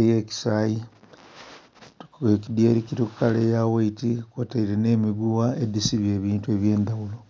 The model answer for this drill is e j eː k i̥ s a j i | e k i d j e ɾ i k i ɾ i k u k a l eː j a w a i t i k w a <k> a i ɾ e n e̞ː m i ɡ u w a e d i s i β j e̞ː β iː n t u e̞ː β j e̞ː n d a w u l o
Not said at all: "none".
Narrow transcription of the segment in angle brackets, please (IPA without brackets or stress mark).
t